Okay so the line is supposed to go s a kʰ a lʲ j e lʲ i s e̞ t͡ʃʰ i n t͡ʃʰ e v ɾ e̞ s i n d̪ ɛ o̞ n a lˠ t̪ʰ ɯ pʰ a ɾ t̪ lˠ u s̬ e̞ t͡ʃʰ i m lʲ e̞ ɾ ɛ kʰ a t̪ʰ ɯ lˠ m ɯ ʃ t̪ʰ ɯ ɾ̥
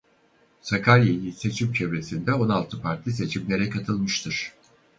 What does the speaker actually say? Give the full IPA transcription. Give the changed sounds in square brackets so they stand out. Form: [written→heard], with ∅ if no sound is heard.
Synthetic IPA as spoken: s a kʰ a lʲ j e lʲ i s e̞ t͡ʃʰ i [n→m] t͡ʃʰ e v ɾ e̞ s i n d̪ ɛ o̞ n a lˠ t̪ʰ ɯ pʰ a ɾ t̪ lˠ [u→ɯ] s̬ e̞ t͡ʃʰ i m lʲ e̞ ɾ ɛ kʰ a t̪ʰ ɯ lˠ m ɯ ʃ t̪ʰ ɯ ɾ̥